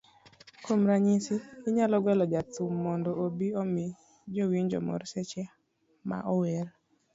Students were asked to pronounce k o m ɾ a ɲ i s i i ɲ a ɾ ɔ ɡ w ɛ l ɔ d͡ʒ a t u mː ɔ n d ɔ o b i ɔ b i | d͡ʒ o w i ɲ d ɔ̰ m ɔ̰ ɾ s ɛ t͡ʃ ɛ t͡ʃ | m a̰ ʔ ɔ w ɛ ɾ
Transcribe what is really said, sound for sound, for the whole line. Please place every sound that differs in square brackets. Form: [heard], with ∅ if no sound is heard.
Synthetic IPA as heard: k o m ɾ a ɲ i s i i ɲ a [l] ɔ ɡ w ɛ l ɔ d͡ʒ a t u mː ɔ n d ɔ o b i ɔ [m] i | d͡ʒ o w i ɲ [d͡ʒ] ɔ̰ m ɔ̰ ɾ s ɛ t͡ʃ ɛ [∅] | m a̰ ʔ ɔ w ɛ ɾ